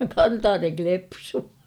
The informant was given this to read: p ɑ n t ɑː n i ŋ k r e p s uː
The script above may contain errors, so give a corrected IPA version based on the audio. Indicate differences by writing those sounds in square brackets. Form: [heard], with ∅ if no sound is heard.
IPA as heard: [k] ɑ n t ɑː n [e] ŋ k [l] e p s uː